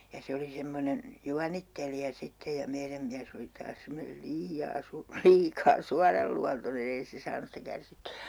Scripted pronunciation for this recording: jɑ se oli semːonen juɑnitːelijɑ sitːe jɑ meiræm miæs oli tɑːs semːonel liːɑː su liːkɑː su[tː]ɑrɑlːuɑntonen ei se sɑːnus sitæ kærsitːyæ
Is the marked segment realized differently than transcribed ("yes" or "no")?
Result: yes